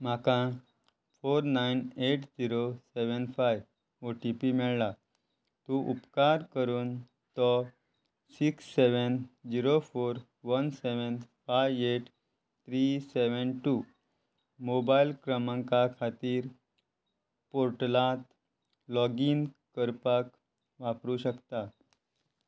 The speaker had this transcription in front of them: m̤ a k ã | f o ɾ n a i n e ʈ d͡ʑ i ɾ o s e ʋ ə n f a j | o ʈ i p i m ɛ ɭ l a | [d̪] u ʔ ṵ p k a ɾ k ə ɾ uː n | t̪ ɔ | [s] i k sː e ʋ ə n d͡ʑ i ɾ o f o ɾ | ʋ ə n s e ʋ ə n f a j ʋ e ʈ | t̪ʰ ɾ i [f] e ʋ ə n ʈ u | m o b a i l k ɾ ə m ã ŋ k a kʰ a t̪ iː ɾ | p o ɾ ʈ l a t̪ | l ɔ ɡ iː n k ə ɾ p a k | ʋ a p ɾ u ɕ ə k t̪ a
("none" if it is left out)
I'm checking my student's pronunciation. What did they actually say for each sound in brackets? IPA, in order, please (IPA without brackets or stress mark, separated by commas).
t̪, s, s